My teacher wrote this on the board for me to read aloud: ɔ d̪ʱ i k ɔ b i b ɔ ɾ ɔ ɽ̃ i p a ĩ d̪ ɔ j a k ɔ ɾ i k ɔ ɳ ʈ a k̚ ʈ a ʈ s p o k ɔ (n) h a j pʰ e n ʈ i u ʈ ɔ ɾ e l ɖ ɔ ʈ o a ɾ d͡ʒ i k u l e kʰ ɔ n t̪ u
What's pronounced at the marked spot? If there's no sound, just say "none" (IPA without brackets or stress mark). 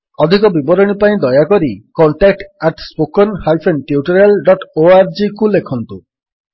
n